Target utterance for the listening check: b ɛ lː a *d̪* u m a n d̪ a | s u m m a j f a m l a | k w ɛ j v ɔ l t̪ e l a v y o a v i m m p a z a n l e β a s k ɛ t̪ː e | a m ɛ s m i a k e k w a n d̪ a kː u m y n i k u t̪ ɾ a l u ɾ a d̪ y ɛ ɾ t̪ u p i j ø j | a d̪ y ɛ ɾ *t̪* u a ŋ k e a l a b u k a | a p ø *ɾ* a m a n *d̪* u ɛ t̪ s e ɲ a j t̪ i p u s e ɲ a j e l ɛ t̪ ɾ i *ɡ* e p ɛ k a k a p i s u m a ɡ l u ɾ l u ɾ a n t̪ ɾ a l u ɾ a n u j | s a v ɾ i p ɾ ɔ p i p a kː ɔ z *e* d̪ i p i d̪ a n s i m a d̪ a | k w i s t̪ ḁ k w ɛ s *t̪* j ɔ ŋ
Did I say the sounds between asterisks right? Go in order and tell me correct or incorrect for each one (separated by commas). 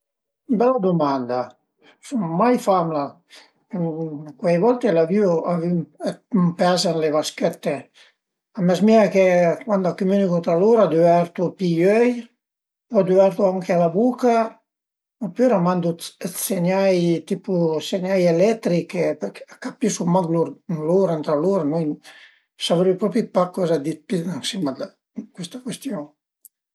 correct, correct, correct, correct, incorrect, incorrect, correct